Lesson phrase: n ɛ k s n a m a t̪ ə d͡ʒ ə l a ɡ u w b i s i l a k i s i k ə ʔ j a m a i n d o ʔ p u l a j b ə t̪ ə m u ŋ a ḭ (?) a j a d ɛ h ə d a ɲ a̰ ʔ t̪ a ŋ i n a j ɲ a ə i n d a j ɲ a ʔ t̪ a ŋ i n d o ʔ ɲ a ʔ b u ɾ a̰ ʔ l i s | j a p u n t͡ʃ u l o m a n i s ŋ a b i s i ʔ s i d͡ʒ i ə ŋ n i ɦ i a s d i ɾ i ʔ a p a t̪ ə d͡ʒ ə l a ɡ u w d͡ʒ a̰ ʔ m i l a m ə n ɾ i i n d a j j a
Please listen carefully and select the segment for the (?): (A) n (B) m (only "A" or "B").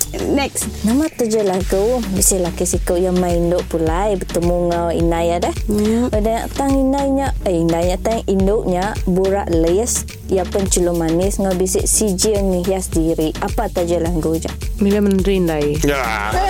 A